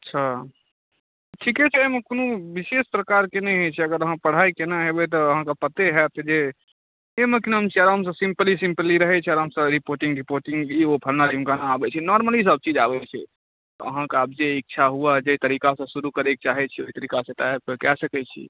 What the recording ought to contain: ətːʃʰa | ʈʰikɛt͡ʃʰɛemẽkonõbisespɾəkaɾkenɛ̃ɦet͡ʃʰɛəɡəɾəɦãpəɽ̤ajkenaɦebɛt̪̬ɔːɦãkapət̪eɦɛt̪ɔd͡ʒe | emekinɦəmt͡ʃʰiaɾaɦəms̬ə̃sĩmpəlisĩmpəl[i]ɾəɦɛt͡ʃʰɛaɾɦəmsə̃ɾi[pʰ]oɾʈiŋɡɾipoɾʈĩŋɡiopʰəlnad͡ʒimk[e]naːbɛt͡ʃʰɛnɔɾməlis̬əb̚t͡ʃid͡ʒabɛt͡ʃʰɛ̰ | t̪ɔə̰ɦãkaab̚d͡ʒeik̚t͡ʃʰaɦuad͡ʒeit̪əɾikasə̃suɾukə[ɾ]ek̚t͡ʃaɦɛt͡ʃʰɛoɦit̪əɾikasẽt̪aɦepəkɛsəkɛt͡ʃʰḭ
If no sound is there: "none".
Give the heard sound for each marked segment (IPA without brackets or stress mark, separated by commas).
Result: i, p, a, ɾ